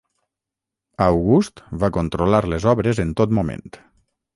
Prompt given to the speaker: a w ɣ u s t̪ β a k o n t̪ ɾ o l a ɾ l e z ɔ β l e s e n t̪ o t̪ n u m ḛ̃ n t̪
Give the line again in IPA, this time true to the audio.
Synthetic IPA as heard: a w ɣ u s t̪ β a k o n t̪ ɾ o l a ɾ l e z ɔ β ɾ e z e n t̪ o t̪ m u m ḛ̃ n t̪